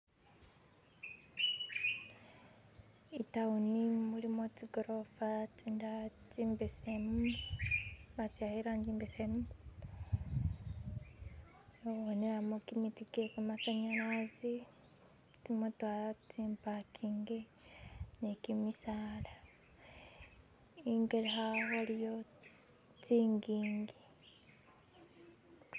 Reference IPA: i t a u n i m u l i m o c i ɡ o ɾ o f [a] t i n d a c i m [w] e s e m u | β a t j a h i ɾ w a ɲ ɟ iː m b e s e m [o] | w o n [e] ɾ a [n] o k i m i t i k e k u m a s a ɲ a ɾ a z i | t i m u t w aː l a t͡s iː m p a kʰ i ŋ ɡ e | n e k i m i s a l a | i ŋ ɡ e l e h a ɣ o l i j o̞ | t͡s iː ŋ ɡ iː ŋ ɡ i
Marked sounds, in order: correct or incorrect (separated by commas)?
correct, incorrect, incorrect, correct, incorrect